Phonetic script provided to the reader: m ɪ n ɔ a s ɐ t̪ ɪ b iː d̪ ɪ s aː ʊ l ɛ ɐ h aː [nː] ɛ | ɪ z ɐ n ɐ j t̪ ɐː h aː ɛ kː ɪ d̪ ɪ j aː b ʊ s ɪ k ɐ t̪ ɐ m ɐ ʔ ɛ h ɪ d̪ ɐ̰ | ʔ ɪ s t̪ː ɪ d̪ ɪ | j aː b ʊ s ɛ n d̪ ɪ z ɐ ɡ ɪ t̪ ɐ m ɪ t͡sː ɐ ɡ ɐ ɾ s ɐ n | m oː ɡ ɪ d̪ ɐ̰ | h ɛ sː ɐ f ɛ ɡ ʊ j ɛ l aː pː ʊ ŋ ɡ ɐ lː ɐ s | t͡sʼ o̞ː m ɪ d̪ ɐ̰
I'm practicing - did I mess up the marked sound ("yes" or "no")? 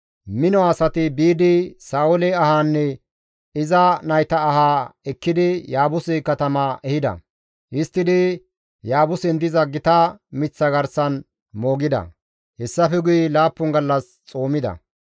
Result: no